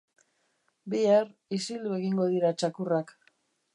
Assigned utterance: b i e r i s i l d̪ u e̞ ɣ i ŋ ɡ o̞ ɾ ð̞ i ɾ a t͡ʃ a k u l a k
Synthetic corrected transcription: b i a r i s i l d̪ u e̞ ɣ i ŋ ɡ o̞ ð̞ i ɾ a t͡ʃ a k u r a k